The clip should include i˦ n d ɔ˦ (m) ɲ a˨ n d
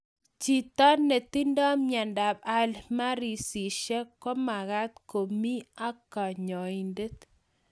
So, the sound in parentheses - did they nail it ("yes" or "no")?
yes